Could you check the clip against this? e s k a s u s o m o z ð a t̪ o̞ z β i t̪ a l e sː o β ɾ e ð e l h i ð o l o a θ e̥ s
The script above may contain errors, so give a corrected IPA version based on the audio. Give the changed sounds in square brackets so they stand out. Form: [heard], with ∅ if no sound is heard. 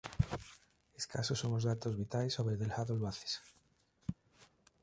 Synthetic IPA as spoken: e s k a s [o] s o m o z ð a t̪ o̞ z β i t̪ a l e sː o β ɾ e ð e l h [a] ð o l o a θ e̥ s